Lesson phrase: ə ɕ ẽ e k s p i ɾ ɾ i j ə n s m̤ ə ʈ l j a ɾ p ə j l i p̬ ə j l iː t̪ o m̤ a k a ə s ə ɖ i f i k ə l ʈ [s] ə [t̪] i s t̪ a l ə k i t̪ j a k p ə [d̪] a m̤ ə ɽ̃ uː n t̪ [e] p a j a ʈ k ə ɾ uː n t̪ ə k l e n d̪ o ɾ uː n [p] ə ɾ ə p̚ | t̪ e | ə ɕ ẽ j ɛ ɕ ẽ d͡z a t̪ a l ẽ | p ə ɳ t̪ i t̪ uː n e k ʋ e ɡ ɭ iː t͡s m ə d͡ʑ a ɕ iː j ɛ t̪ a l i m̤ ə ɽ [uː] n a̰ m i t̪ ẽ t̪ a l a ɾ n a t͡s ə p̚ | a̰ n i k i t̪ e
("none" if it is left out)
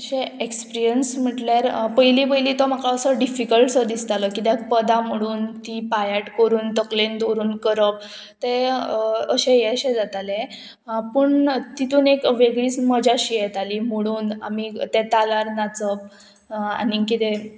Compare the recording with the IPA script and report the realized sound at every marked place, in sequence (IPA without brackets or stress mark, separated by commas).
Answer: s, d̪, d̪, i, k, uː